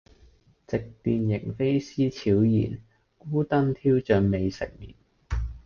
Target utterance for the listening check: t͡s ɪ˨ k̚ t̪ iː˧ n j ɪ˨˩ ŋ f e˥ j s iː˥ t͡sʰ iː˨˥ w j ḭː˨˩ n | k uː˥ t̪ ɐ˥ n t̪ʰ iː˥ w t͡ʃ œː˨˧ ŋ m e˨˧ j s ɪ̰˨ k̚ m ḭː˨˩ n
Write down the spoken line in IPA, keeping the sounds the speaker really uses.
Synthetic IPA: t͡s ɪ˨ k̚ t̪ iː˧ n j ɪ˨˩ ŋ f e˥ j s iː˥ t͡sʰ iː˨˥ w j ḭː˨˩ n | k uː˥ t̪ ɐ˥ n t̪ʰ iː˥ w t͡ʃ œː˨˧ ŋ m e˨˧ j s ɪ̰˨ k̚ m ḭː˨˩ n